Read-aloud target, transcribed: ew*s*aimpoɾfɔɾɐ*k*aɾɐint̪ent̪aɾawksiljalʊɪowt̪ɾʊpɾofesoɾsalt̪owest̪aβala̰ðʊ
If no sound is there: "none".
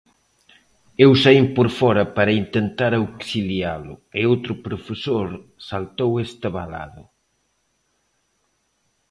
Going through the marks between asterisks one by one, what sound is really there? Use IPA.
s, p

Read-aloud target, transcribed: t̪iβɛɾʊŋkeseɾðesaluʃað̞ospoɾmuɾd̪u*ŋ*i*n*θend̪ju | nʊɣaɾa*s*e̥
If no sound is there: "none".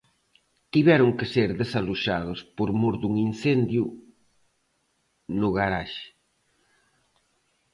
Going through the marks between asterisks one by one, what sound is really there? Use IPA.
ŋ, n, ʃ

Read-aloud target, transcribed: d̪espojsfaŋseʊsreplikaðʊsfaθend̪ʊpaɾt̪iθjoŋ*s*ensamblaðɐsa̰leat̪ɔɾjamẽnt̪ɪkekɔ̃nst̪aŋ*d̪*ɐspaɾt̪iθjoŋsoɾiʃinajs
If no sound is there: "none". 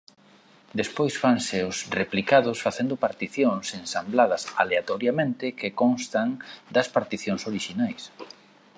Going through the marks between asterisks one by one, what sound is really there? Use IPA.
s, d̪

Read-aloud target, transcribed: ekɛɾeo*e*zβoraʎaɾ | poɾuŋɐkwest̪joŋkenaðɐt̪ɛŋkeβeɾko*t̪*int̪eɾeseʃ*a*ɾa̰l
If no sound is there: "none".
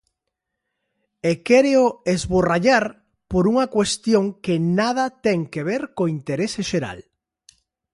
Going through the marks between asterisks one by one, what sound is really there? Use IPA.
e, none, e

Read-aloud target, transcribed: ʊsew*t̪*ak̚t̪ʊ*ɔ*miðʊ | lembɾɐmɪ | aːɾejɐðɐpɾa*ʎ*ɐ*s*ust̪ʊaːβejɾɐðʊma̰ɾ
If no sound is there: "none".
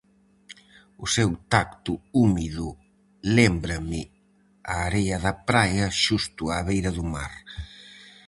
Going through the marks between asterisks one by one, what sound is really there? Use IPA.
t̪, u, j, ʃ

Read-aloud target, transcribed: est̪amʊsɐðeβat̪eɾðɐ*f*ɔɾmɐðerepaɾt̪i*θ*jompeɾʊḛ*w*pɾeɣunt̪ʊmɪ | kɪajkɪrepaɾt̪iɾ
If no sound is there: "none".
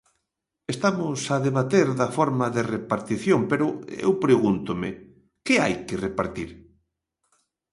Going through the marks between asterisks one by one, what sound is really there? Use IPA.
f, θ, w

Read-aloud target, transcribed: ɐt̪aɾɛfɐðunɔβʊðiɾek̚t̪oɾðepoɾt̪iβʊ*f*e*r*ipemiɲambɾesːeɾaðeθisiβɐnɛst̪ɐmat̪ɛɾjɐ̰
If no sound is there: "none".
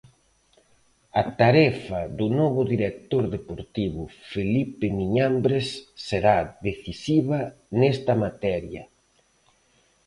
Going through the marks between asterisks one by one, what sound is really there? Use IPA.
f, l

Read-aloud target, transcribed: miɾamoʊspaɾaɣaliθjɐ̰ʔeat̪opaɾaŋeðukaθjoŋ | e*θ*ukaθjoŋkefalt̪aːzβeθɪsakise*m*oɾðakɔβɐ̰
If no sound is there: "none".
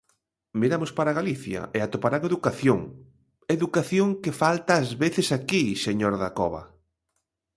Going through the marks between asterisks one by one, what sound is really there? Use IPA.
ð, ɲ

